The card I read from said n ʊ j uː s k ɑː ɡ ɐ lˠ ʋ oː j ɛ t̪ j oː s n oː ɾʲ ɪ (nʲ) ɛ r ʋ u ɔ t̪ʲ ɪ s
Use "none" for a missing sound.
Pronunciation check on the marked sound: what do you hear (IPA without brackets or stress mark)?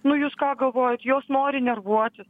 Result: nʲ